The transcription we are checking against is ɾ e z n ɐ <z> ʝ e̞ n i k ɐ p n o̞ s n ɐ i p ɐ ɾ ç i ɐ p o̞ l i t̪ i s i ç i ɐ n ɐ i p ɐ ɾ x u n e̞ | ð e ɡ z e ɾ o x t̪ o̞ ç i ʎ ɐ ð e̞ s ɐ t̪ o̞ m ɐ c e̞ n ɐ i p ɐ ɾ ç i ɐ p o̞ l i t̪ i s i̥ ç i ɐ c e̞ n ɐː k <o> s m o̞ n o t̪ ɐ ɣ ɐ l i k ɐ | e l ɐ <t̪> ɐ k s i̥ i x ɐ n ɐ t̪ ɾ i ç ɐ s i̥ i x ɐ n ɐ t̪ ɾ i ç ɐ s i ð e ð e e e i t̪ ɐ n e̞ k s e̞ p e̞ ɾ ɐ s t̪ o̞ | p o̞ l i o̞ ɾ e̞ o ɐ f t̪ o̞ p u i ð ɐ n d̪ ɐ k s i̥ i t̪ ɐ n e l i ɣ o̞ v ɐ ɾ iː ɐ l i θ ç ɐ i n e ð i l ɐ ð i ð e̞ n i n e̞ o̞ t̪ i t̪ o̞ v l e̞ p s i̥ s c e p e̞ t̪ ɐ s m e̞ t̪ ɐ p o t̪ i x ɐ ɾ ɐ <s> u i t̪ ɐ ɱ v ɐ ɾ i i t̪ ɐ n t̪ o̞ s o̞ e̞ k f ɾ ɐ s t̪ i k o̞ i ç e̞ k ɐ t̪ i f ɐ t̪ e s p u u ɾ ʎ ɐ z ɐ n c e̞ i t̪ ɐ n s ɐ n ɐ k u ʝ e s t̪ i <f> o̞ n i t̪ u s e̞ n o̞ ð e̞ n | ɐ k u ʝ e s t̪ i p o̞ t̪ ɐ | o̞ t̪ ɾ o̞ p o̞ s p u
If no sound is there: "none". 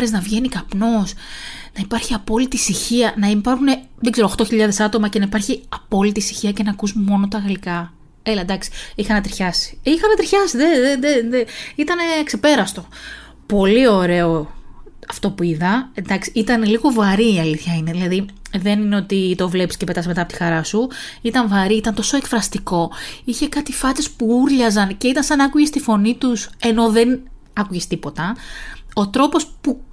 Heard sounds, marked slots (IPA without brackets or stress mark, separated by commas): v, u, d̪, s, f